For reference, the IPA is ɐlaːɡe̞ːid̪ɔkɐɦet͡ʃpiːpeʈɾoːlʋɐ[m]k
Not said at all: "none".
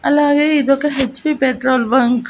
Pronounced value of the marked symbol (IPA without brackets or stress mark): ŋ